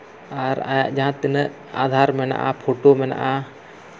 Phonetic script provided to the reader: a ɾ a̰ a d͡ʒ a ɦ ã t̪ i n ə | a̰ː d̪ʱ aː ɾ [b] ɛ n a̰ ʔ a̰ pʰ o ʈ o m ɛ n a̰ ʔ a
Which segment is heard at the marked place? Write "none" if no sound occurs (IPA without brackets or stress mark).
m